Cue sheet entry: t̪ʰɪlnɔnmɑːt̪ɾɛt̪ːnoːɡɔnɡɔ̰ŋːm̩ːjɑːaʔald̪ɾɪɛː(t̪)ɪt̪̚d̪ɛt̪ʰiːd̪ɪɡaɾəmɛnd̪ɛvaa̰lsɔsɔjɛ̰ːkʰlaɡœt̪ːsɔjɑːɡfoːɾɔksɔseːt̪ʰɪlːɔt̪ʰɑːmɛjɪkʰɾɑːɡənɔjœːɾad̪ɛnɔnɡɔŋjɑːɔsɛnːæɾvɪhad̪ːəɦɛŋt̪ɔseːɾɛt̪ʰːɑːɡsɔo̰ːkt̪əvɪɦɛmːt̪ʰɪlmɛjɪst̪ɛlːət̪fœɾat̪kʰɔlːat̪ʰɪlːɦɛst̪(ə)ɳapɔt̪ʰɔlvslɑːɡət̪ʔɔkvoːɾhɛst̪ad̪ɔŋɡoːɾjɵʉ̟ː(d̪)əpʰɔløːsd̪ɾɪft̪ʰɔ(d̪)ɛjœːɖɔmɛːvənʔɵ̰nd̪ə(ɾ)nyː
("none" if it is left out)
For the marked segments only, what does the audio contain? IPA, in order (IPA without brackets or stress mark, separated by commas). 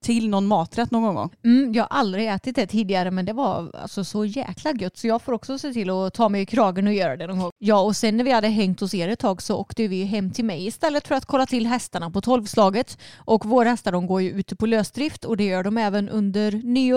t̪, a, t̪, d̪, ɾ